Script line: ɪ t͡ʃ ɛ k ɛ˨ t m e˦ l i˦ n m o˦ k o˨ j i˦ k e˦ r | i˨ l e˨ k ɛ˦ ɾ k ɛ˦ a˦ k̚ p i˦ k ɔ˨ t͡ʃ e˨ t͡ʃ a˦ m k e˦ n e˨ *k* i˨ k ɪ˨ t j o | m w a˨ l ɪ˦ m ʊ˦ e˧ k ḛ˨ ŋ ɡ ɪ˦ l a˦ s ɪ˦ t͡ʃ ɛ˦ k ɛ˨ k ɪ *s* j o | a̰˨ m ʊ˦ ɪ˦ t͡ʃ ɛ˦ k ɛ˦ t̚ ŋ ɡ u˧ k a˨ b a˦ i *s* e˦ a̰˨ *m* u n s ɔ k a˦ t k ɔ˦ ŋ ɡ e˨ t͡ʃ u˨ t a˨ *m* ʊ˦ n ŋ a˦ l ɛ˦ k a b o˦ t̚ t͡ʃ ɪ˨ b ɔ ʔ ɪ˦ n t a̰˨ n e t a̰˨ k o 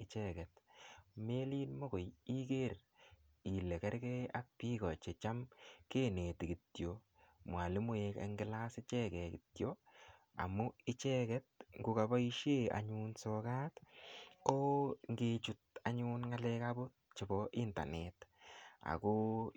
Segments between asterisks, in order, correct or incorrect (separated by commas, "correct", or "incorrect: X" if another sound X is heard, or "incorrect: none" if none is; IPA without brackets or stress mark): incorrect: t, incorrect: t, incorrect: ʃ, incorrect: ɲ, incorrect: ɲ